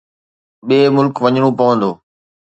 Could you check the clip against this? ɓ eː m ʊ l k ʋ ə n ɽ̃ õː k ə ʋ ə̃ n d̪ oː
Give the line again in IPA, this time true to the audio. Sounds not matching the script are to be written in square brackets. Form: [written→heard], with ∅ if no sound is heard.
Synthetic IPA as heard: ɓ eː m ʊ l k ʋ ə [n→ɲ] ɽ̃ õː [k→p] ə ʋ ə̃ n d̪ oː